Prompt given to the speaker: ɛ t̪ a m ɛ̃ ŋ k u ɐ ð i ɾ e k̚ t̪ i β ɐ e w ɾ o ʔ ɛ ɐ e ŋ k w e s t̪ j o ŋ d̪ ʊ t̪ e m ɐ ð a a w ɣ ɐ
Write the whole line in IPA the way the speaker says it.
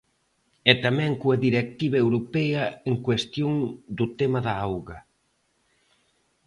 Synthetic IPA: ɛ t̪ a m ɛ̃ ŋ k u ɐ ð i ɾ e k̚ t̪ i β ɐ e w ɾ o p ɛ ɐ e ŋ k w e s t̪ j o ŋ d̪ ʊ t̪ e m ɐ ð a a w ɣ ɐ